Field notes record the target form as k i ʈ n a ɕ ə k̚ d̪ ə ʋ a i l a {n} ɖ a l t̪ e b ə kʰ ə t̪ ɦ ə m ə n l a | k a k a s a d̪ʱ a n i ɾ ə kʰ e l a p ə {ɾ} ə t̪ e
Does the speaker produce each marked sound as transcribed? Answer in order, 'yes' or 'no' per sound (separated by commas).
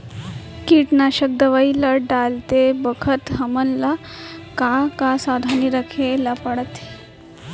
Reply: no, no